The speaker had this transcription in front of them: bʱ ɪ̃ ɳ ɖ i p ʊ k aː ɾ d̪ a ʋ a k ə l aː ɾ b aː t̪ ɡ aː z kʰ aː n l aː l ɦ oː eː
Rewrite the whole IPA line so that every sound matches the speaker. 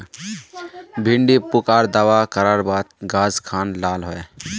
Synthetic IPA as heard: bʱ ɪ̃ ɳ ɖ i p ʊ k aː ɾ d̪ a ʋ a k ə ɾ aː ɾ b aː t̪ ɡ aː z kʰ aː n l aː l ɦ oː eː